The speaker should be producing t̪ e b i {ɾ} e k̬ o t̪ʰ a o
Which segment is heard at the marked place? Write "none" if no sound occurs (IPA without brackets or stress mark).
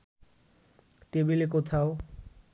l